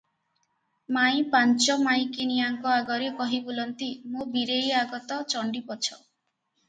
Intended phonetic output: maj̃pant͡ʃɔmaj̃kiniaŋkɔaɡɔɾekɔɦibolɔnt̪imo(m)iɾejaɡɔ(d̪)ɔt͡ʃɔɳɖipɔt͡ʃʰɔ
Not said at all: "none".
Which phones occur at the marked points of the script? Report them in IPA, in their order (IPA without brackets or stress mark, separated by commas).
b, t̪